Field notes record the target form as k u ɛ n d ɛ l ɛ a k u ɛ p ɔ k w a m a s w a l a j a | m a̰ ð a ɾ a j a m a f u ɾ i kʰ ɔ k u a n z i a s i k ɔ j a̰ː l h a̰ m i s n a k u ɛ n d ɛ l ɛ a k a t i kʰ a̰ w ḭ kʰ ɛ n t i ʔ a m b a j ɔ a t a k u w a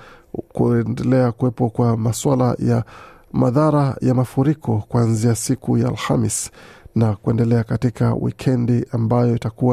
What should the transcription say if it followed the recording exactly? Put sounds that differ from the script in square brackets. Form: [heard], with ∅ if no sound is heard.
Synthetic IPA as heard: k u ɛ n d ɛ l ɛ a k u ɛ p ɔ k w a m a s w a l a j a | m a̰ ð a ɾ a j a m a f u ɾ i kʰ ɔ k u a n z i a s i k [u] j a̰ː l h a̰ m i s n a k u ɛ n d ɛ l ɛ a k a t i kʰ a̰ w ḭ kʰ ɛ n [d] i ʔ a m b a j ɔ [i] t a k u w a